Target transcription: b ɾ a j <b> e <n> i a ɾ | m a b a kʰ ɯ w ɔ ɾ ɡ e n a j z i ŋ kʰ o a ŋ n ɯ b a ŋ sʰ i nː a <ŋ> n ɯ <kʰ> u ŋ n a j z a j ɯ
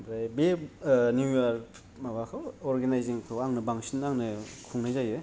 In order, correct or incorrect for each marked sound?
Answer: correct, correct, correct, correct

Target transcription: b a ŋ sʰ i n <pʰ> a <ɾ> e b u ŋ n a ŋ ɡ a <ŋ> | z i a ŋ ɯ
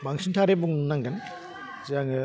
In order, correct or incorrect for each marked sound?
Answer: incorrect: tʰ, correct, incorrect: n

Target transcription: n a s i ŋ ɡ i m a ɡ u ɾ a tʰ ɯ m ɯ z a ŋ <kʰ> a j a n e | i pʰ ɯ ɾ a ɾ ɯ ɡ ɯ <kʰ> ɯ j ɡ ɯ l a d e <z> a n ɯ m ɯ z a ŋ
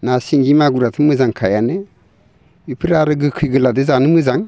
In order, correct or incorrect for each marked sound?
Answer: correct, correct, correct

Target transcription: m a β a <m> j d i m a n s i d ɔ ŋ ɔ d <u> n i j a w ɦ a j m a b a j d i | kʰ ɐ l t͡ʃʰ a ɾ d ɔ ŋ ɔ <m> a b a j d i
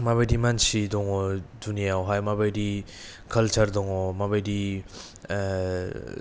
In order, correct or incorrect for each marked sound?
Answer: incorrect: none, correct, correct

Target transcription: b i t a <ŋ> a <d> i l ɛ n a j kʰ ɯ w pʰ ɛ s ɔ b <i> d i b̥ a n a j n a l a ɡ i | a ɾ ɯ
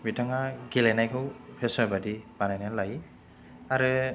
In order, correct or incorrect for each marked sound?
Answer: correct, incorrect: ɡ, incorrect: a

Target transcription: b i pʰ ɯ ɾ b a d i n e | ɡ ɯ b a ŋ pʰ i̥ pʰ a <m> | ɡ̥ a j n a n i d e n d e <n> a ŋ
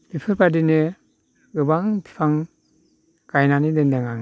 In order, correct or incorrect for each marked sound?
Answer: incorrect: ŋ, incorrect: ŋ

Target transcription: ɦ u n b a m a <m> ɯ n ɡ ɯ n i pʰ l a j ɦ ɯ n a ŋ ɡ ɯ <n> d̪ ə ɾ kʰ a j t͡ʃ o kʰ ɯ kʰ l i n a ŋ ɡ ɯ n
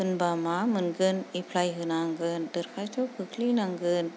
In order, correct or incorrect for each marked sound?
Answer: correct, correct

